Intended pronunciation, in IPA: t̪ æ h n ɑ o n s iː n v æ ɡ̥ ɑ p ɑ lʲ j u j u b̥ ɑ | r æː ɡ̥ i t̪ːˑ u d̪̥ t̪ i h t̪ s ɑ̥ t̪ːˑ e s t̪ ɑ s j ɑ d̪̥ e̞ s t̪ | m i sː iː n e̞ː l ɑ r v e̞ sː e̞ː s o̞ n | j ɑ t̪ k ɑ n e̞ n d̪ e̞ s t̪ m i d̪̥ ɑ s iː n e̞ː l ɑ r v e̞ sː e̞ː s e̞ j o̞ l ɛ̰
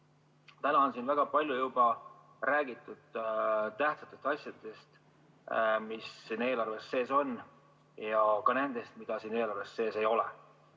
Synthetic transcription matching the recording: t̪ æ n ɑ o n s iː n v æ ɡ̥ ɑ p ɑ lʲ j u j u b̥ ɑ | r æː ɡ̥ i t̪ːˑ u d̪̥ t̪ æ h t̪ s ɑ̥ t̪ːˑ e s t̪ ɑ s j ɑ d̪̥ e̞ s t̪ | m i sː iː n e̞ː l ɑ r v e̞ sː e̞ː s o̞ n | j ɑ k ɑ n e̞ n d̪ e̞ s t̪ m i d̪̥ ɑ s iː n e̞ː l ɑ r v e̞ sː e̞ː s e̞ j o̞ l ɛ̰